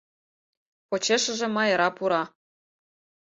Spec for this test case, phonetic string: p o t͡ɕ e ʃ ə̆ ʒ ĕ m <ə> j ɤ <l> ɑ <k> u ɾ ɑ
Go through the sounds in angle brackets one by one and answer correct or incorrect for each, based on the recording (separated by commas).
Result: incorrect, incorrect, incorrect